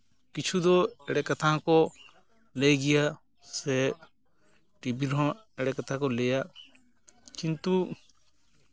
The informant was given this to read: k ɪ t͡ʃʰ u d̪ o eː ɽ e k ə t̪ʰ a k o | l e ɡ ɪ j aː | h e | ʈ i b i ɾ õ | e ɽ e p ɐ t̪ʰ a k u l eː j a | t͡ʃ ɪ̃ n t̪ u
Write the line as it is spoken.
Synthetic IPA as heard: k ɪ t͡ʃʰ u d̪ o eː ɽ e k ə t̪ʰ a k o | l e ɡ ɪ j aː | s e | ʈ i b i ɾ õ | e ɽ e k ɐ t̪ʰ a k o l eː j a | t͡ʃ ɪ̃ n t̪ u